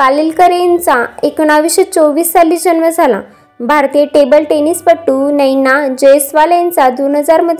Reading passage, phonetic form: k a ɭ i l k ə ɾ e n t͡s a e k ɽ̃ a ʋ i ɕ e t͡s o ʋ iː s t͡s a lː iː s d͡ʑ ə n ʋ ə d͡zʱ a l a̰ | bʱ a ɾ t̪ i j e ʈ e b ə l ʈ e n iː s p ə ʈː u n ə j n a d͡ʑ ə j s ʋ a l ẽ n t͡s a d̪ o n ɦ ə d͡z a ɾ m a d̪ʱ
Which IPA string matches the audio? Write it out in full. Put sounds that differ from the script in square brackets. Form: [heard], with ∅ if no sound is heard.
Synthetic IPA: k a [l] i l k ə ɾ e n t͡s a e k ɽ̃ a ʋ i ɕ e t͡s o ʋ iː s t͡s a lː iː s d͡ʑ ə n ʋ ə d͡zʱ a l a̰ | bʱ a ɾ t̪ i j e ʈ e b ə l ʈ e n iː s p ə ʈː u n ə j n a d͡ʑ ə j s ʋ a l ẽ n t͡s a d̪ o n ɦ ə d͡z a ɾ m [ə] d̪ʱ